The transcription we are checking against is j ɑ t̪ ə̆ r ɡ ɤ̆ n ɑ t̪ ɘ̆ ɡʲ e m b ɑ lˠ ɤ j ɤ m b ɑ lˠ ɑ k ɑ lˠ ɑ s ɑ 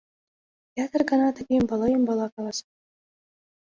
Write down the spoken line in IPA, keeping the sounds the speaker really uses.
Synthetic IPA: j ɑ t̪ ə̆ r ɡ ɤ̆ n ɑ t̪ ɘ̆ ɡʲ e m b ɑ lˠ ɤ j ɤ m b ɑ lˠ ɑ k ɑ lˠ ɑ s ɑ